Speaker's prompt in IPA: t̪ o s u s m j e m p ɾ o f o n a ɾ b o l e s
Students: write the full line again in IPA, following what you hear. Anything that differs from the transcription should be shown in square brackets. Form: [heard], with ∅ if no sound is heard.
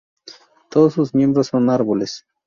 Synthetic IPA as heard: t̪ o s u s m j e m [b] ɾ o [s] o n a ɾ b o l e s